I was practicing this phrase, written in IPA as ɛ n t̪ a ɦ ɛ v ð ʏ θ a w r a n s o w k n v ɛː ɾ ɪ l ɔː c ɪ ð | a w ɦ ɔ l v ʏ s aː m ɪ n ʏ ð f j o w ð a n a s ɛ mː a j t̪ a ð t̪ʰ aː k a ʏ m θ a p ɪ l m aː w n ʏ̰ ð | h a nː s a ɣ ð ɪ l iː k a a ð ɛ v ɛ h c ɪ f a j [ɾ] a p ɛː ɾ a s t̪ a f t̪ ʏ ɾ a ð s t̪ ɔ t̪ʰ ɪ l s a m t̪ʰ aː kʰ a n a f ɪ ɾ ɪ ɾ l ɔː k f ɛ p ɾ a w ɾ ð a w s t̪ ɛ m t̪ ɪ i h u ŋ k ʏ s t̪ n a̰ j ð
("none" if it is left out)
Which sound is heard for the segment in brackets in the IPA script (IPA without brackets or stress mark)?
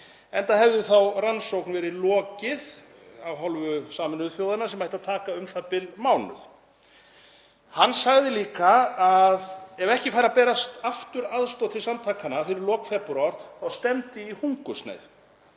ɾ